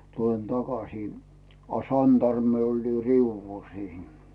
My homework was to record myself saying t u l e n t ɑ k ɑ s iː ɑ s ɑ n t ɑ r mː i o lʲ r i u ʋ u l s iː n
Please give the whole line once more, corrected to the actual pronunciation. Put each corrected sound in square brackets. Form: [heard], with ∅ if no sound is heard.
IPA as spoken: t u l e n t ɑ k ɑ s iː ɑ s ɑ n t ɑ r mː i o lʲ r i u [ʋː] u l s iː n